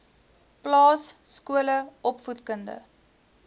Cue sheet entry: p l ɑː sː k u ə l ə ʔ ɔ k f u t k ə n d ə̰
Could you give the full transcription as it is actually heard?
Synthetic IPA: p l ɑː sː k u ə l ə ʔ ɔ p f u t k ə n d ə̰